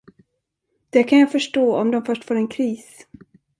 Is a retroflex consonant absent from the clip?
no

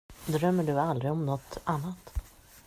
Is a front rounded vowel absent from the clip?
no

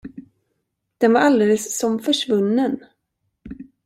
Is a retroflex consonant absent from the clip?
no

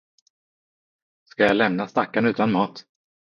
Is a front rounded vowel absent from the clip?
yes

